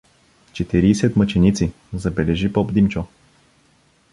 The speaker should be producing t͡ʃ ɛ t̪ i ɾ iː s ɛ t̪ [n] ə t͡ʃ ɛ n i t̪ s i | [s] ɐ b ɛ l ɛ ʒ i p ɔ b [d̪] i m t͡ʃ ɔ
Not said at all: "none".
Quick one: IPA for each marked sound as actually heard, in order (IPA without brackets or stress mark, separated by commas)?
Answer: m, z, d̪